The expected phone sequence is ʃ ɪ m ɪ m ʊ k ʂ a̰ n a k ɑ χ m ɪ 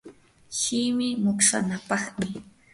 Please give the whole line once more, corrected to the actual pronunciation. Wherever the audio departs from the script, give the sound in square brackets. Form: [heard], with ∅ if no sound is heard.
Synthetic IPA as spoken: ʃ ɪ m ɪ m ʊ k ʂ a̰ n a [p] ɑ χ m ɪ